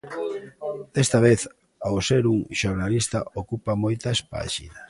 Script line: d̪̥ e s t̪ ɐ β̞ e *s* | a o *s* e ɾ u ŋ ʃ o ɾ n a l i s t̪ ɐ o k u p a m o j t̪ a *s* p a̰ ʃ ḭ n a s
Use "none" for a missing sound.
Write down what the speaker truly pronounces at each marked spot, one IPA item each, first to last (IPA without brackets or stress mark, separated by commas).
θ, s, s